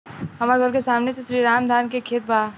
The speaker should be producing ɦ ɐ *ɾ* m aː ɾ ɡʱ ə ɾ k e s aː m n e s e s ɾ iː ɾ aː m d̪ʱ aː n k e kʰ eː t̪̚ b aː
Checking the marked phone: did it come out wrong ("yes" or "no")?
yes